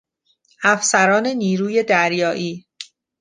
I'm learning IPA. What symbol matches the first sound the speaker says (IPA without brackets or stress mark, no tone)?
æ